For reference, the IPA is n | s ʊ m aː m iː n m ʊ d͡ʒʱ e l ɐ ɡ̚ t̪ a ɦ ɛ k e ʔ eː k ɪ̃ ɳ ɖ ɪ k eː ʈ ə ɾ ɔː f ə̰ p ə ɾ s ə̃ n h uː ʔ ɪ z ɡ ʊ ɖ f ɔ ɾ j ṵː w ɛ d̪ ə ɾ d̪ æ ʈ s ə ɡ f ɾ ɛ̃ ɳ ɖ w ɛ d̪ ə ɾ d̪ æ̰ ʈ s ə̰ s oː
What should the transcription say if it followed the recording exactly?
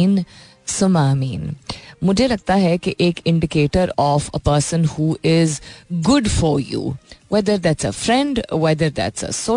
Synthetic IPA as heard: n | s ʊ m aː m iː n m ʊ d͡ʒʱ e l ɐ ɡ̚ t̪ a ɦ ɛ k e ʔ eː k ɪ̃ ɳ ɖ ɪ k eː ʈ ə ɾ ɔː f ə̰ p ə ɾ s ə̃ n h uː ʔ ɪ z ɡ ʊ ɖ f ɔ ɾ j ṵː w ɛ d̪ ə ɾ d̪ æ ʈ s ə f ɾ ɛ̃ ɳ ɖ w ɛ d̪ ə ɾ d̪ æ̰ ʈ s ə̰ s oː